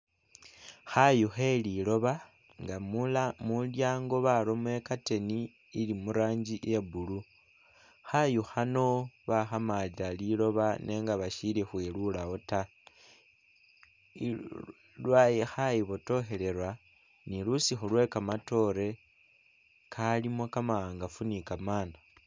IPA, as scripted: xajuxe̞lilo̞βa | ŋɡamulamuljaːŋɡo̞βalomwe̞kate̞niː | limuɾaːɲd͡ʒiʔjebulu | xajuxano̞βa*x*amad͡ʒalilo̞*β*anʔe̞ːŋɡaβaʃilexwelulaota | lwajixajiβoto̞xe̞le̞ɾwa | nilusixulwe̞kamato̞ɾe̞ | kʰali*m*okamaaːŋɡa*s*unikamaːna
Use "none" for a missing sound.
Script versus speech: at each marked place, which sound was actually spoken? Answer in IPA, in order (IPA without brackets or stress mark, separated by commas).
x, β, m, f